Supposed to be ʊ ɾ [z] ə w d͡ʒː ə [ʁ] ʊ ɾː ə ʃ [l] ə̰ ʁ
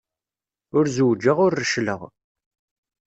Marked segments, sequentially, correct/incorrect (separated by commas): correct, correct, correct